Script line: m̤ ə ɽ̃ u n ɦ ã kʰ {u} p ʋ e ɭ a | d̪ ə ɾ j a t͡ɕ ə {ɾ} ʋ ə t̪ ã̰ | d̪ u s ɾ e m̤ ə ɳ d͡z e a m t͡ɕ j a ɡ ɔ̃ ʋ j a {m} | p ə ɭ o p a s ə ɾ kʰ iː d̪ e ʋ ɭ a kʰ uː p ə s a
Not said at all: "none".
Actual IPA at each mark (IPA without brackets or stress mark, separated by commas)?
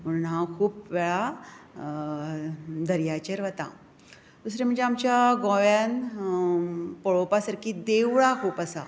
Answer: uː, ɾ, n